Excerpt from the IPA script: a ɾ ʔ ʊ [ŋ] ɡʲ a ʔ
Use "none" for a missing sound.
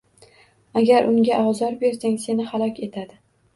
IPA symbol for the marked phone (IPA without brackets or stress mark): ŋ